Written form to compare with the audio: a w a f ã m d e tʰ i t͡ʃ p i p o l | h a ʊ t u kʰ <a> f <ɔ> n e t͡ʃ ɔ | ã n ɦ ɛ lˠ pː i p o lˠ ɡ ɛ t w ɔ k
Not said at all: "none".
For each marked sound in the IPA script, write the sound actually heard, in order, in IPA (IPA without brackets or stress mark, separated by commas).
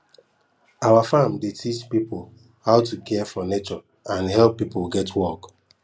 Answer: ɛ, ɔ